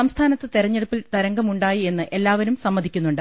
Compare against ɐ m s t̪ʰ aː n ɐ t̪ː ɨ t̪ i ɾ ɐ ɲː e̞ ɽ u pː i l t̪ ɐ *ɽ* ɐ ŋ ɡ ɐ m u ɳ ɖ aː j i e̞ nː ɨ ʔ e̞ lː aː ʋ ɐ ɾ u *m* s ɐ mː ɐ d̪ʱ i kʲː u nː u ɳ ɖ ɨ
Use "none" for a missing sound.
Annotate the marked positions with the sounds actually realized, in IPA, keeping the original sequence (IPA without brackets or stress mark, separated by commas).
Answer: ɾ, m